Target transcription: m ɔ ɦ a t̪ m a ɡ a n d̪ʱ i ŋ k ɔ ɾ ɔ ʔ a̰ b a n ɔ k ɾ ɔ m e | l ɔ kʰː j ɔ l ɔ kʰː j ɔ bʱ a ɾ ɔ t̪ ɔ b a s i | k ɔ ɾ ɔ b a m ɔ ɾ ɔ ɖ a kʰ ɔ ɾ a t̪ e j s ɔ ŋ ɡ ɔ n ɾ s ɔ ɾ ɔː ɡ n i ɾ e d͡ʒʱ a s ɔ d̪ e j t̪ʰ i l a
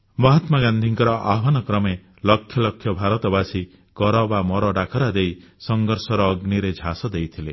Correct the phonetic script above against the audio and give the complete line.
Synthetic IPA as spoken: m ɔ ɦ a t̪ m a ɡ a n d̪ʱ i ŋ k ɔ ɾ ɔ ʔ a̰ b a n ɔ k ɾ ɔ m e | l ɔ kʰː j ɔ l ɔ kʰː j ɔ bʱ a ɾ ɔ t̪ ɔ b a s i | k ɔ ɾ ɔ b a m ɔ ɾ ɔ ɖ a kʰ ɔ ɾ a d̪ e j s ɔ ŋ ɡ ɔ ɾ s ɔ ɾ ɔː ɡ n i ɾ e d͡ʒʱ a s ɔ d̪ e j t̪ʰ i l e